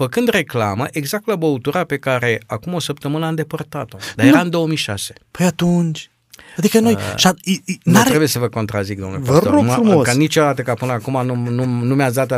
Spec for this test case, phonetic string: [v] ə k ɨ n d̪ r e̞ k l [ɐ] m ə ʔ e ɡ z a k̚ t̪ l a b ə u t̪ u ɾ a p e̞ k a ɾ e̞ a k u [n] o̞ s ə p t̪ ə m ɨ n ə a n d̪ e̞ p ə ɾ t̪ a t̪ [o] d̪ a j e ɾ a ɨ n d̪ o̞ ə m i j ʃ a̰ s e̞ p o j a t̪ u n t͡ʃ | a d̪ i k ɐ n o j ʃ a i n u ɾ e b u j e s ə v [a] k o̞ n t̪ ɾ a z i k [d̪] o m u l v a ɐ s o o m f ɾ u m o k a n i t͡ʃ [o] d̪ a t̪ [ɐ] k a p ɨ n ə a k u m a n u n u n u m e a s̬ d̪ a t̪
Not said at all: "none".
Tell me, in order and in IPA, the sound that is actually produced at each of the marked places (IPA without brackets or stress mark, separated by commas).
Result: f, a, m, o, ə, d̪, o, ə